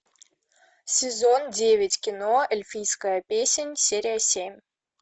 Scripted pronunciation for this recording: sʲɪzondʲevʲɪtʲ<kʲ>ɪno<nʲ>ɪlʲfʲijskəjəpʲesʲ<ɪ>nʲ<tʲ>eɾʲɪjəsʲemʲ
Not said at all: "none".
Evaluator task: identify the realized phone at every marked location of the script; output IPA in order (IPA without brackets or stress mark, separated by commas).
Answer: kʲ, none, ɪ, sʲ